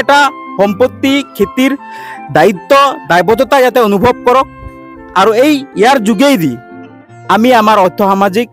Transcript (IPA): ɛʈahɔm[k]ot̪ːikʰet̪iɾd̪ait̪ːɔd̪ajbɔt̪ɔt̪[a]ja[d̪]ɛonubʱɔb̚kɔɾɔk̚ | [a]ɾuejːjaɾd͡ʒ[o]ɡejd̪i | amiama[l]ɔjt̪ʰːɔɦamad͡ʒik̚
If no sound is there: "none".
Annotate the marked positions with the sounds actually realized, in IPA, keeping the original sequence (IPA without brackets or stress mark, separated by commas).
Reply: p, a, t̪, a, u, ɾ